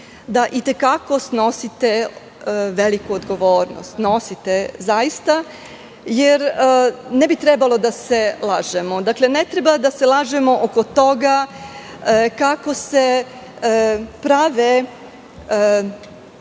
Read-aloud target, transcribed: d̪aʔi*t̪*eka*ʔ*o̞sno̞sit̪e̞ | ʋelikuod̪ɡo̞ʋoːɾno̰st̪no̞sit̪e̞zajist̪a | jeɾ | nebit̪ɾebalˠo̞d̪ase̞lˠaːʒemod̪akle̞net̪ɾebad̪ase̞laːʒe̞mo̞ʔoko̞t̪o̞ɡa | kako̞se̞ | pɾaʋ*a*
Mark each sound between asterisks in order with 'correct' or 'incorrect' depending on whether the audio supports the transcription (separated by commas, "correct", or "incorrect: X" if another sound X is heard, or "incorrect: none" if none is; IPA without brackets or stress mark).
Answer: correct, incorrect: k, incorrect: e